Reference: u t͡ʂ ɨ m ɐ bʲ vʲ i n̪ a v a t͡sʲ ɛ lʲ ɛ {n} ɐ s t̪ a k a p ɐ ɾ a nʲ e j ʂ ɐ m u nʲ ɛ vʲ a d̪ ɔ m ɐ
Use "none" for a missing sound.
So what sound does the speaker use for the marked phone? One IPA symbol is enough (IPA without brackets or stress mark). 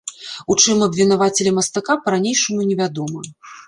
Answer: m